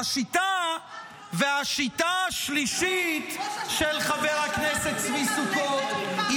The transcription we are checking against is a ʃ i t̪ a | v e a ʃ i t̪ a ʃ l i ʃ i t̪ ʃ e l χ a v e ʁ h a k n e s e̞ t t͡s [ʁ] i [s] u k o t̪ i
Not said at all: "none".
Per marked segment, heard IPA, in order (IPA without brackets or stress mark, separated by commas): v, s